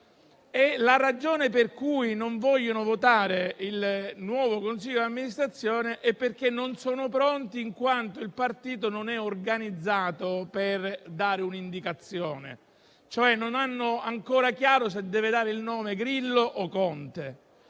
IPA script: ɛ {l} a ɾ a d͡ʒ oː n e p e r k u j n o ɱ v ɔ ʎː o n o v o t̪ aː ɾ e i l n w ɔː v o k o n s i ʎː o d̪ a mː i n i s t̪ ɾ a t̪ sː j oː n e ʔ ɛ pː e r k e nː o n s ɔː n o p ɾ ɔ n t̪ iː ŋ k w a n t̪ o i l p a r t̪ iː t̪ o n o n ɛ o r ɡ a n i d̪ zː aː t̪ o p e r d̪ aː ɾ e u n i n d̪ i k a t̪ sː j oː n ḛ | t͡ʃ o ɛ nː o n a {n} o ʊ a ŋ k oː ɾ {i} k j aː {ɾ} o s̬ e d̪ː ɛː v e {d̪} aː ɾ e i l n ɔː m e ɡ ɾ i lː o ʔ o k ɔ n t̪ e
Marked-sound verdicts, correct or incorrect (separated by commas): correct, incorrect, incorrect, correct, correct